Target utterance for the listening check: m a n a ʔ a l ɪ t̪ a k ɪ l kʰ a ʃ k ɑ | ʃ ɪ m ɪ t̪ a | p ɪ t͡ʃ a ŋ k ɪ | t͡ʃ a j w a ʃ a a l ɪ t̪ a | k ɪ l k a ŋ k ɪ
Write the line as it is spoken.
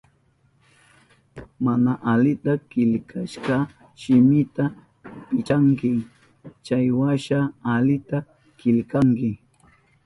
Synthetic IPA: m a n a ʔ a l ɪ t̪ a k ɪ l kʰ a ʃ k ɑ | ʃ ɪ m ɪ t̪ a | p ɪ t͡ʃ a ŋ k ɪ | t͡ʃ a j w a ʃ a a l ɪ t̪ a | k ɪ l k a ŋ k ɪ